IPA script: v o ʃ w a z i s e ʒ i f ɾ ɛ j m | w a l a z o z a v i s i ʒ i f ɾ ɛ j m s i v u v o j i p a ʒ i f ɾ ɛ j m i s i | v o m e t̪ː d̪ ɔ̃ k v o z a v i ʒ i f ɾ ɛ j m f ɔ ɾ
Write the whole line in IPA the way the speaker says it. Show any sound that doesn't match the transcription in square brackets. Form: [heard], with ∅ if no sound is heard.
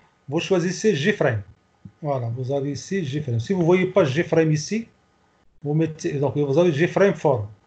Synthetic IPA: v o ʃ w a z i s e ʒ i f ɾ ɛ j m | w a l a [v] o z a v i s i ʒ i f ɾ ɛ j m s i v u v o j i p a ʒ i f ɾ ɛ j m i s i | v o m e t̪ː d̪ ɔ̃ k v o z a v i ʒ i f ɾ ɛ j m f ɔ ɾ